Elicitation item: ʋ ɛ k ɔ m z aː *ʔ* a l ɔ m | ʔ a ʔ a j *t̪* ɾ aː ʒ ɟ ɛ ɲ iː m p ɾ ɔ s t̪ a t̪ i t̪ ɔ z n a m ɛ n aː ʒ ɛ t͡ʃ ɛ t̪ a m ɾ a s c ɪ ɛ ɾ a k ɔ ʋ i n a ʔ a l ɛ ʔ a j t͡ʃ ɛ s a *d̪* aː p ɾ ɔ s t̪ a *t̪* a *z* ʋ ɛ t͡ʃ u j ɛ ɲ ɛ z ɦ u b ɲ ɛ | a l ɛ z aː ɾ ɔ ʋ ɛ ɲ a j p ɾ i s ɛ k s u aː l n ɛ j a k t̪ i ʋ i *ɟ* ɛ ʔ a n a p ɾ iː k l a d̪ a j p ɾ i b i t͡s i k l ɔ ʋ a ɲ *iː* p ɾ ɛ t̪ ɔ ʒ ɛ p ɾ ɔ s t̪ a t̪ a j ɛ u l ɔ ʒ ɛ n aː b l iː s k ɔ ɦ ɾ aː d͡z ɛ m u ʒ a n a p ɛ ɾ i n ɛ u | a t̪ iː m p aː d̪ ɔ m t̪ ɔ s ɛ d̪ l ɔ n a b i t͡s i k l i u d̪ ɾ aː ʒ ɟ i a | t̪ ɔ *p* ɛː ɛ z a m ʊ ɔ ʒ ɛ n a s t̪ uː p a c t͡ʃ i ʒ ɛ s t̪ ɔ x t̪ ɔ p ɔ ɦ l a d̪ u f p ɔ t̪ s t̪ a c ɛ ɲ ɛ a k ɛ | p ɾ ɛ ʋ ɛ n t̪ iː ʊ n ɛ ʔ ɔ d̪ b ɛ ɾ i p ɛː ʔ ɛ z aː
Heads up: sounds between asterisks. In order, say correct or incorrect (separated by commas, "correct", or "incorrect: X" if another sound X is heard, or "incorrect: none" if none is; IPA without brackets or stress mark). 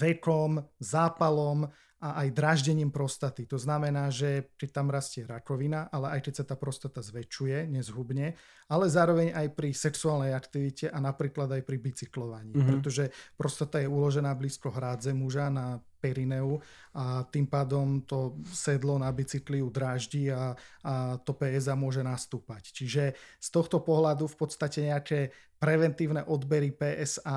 incorrect: p, incorrect: d̪, incorrect: t̪, correct, correct, incorrect: c, correct, correct